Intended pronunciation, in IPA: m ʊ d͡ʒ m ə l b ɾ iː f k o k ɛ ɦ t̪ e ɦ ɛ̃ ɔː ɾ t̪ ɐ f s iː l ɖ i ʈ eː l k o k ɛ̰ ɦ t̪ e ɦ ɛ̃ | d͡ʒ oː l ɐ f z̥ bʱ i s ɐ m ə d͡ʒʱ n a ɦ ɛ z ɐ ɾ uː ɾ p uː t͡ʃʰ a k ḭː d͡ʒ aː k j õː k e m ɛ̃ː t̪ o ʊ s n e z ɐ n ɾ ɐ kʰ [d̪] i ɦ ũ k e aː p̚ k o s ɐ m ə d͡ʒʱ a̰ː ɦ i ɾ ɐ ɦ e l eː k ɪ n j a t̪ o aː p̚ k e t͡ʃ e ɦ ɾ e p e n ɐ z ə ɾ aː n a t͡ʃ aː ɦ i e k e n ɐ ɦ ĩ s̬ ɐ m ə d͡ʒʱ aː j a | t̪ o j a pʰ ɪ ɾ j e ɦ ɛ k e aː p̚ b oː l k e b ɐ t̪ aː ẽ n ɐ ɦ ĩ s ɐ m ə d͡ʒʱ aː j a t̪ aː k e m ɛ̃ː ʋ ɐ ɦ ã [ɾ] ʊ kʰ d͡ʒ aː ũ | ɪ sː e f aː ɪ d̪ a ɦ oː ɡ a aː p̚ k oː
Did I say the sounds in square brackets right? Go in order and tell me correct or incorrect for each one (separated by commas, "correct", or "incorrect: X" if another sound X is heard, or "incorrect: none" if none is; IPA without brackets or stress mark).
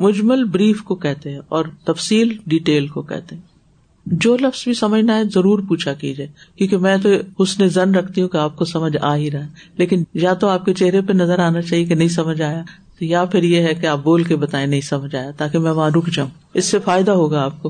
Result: incorrect: t̪, correct